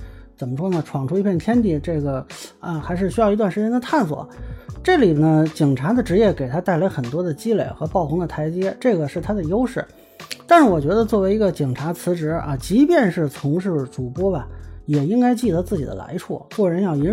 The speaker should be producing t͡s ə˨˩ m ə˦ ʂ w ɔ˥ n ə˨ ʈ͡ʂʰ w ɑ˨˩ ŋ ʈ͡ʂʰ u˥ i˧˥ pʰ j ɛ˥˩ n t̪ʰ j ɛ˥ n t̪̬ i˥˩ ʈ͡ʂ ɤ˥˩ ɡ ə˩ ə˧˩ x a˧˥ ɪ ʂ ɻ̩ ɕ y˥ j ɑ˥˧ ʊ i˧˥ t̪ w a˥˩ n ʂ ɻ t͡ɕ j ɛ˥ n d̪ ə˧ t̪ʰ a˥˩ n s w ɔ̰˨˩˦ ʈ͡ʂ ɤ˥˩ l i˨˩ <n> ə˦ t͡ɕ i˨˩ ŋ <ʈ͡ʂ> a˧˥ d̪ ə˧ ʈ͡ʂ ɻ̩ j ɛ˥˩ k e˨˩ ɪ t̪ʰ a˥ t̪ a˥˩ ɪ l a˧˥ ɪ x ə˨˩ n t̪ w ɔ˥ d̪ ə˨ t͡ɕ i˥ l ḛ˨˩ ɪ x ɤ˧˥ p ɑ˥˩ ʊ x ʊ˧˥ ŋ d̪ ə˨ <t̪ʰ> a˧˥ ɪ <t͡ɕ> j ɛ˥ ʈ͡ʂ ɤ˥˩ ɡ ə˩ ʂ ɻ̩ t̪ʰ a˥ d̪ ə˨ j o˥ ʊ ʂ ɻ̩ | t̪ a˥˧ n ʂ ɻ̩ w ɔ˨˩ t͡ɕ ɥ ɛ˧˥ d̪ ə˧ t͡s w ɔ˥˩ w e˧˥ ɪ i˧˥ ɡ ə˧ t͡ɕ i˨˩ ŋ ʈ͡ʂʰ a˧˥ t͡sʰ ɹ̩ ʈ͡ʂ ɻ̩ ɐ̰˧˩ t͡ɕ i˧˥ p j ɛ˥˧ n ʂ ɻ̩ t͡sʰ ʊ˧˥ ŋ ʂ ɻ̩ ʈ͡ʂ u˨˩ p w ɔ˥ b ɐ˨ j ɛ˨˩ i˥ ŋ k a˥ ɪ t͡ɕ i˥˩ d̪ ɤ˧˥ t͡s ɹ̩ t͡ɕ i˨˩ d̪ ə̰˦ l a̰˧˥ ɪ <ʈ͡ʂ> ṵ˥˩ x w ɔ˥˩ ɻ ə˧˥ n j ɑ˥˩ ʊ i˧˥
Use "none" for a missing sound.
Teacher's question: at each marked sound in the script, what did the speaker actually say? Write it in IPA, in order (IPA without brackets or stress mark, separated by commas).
n, ʈ͡ʂʰ, t̪ʰ, t͡ɕ, ʈ͡ʂʰ